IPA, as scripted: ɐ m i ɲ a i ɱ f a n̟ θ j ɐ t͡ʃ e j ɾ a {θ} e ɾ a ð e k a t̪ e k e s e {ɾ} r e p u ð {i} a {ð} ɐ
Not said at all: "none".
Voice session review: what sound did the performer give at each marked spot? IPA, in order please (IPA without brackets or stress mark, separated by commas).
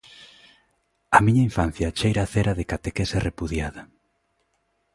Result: θ, none, j, ð